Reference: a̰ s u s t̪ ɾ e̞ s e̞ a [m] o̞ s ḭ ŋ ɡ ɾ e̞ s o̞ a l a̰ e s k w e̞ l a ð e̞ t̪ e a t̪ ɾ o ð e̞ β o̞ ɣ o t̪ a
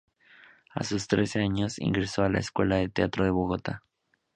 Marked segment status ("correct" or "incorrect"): incorrect